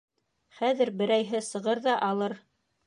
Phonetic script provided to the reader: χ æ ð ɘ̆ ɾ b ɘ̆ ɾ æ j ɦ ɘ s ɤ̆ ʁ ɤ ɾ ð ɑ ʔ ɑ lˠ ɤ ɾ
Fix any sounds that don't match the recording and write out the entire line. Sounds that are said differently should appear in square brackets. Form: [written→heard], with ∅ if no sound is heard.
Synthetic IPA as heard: χ æ ð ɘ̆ ɾ b ɘ̆ ɾ æ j ɦ ɘ s ɤ̆ ʁ ɤ ɾ ð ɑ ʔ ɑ lˠ ɤ ɾ